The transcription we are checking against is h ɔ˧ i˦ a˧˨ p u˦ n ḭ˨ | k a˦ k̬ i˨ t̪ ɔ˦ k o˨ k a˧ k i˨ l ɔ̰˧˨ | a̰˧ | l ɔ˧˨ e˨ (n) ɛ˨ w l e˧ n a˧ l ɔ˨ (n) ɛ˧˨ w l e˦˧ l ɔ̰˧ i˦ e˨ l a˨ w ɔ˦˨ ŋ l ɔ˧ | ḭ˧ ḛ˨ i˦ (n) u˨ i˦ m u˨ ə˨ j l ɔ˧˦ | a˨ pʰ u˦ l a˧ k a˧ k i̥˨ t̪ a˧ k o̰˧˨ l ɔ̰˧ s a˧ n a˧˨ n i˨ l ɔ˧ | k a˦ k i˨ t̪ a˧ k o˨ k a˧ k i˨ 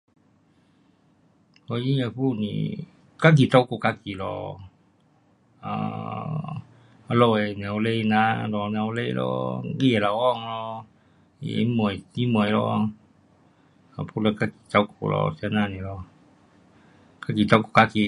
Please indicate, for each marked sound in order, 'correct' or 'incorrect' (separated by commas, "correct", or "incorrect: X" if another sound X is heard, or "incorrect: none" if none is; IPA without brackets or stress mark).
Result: correct, correct, incorrect: m